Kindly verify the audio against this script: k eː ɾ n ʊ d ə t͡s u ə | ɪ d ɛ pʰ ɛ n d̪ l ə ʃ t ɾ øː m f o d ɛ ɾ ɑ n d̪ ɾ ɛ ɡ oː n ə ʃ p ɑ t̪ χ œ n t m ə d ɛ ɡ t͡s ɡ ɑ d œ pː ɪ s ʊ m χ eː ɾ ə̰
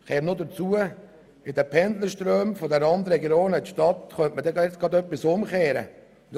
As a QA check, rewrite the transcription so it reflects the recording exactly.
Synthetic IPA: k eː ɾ n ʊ d ə t͡s u ə | ɪ d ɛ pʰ ɛ n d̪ l ə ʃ t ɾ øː m f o d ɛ ɾ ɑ n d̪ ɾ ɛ ɡ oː n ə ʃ t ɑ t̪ χ œ n t m ə d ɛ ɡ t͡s ɡ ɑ d œ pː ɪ s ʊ m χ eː ɾ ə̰